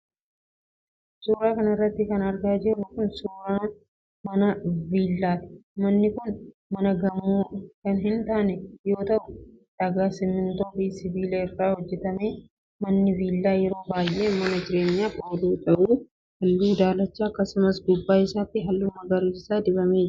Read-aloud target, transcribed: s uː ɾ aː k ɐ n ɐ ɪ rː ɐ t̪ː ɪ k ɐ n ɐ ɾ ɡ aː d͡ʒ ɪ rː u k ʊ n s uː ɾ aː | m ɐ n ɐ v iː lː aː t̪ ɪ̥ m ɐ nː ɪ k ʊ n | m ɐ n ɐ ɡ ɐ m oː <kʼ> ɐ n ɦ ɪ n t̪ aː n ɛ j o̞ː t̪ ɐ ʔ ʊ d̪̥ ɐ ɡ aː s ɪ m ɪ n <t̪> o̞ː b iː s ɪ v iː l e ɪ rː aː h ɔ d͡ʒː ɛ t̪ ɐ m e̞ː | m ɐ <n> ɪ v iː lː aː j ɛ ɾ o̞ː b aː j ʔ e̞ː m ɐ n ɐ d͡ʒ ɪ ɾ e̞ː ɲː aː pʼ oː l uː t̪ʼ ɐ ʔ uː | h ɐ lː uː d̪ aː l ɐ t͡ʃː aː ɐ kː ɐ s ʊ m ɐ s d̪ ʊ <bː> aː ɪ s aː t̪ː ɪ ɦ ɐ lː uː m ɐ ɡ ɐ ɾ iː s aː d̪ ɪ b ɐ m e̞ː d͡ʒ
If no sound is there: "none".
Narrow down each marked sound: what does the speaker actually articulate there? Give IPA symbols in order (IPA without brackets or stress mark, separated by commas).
k, t̪, nː, bː